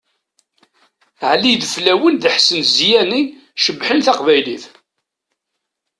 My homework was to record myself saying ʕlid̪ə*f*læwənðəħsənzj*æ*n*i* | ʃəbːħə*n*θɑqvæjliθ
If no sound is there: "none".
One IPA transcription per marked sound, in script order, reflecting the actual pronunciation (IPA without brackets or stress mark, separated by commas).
f, æ, i, n